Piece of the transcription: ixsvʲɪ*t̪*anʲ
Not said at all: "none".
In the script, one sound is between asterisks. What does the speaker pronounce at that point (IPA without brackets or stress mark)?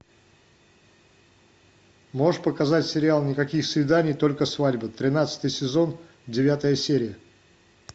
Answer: d̪